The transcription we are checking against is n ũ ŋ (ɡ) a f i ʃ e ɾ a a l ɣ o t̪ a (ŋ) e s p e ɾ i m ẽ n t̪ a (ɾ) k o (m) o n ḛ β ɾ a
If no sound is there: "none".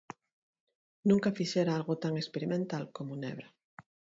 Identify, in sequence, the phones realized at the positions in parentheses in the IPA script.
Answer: k, ŋ, l, m

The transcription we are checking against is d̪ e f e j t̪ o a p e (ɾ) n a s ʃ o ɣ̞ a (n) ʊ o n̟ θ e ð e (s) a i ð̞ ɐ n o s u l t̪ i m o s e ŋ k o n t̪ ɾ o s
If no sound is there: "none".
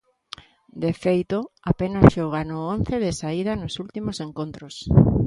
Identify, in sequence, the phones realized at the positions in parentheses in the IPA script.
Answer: none, n, s

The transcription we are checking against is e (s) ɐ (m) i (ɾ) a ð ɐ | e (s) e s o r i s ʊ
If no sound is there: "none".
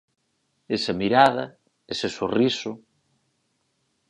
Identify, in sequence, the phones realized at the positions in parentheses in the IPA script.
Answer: s, m, ɾ, s

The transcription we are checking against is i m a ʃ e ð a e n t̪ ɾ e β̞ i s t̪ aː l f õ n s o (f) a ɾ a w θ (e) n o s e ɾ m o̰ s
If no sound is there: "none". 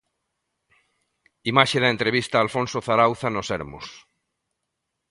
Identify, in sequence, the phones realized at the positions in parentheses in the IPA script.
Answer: θ, a

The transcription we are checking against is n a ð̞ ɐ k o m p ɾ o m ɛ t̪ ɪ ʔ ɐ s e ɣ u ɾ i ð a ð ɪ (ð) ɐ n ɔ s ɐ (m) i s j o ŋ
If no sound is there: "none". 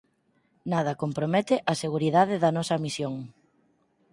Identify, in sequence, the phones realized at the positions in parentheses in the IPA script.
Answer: ð, m

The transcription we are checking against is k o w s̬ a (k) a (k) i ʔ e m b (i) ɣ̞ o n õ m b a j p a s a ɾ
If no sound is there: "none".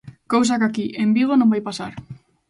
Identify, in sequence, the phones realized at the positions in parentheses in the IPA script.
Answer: k, k, i

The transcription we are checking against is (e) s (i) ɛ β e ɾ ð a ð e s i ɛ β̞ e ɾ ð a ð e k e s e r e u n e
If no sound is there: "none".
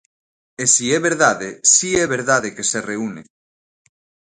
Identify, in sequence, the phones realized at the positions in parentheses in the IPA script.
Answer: e, i

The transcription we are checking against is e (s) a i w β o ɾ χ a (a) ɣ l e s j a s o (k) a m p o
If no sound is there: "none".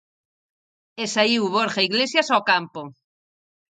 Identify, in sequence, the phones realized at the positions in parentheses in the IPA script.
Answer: s, i, k

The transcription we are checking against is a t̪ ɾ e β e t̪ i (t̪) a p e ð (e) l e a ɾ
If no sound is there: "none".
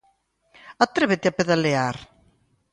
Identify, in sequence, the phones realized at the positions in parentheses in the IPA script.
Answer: none, a

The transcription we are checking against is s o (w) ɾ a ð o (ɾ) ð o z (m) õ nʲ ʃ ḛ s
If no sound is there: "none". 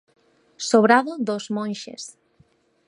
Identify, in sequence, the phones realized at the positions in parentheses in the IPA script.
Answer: β, none, m

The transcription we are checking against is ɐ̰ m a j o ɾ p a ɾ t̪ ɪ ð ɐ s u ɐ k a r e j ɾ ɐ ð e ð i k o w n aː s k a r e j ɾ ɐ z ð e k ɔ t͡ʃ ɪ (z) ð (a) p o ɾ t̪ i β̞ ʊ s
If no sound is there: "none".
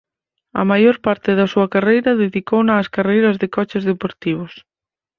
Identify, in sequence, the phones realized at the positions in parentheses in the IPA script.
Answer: z, e

